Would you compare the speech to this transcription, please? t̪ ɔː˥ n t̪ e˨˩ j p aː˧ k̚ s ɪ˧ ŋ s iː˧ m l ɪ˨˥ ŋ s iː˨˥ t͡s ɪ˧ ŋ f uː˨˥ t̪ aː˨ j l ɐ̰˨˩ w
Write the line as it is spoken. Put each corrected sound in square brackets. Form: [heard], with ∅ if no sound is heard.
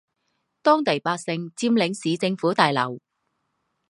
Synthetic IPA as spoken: t̪ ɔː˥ [ŋ] t̪ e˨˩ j p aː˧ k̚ s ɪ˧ ŋ [t͡s] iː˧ m l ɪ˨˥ ŋ s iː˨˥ t͡s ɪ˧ ŋ f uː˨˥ t̪ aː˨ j l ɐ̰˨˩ w